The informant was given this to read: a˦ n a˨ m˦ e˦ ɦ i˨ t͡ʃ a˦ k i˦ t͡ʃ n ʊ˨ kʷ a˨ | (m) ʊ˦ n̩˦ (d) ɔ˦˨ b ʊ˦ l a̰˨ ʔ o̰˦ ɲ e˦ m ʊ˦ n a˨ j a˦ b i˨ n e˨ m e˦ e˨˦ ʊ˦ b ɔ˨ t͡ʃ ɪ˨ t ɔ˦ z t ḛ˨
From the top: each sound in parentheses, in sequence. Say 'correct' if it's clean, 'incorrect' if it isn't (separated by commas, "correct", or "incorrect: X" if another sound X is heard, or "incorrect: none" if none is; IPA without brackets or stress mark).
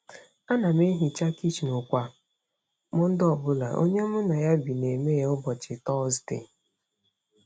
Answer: correct, correct